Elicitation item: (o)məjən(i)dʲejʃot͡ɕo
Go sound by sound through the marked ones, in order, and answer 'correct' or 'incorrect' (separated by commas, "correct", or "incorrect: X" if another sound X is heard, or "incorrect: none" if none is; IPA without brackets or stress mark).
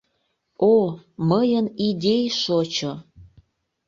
correct, correct